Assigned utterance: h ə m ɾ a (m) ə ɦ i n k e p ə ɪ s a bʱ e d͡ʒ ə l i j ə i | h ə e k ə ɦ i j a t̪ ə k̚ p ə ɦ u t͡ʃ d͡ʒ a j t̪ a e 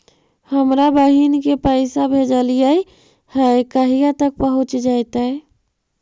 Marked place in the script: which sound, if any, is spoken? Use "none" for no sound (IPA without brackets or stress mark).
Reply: b